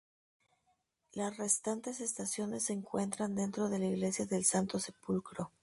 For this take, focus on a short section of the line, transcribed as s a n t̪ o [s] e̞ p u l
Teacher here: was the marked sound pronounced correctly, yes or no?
yes